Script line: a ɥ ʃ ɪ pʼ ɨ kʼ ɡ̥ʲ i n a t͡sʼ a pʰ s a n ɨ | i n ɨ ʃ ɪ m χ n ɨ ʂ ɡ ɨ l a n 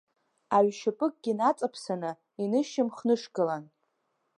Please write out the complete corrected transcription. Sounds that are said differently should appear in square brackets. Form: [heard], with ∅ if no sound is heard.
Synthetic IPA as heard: a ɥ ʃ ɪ pʼ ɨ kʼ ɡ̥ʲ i n a t͡sʼ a pʰ s a n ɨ | i n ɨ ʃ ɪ m χ n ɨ ʂ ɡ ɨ l a n